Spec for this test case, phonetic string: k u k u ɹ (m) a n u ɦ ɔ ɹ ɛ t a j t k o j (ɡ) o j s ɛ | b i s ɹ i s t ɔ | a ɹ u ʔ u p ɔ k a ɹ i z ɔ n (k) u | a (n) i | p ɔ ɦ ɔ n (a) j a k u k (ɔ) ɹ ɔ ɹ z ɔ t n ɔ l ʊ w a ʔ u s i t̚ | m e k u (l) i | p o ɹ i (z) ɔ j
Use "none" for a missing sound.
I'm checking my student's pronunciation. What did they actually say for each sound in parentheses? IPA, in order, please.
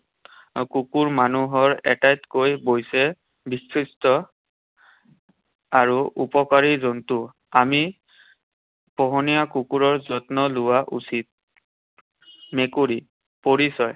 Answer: m, b, t, m, i, u, ɹ, s

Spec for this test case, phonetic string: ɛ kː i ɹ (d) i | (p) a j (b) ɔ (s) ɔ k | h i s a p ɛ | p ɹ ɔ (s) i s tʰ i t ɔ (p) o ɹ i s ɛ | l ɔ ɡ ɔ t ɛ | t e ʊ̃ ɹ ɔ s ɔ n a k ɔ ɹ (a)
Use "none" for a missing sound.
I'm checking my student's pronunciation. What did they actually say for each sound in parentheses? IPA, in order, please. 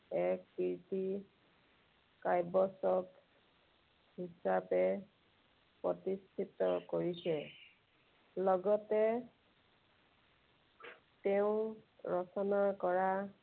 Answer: t, k, b, s, t, k, a

